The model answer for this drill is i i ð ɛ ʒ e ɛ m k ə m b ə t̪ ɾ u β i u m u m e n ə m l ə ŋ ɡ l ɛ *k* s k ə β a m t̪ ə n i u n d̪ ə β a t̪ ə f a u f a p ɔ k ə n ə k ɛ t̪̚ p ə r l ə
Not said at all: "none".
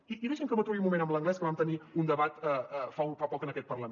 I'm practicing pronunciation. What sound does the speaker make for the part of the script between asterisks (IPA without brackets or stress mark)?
none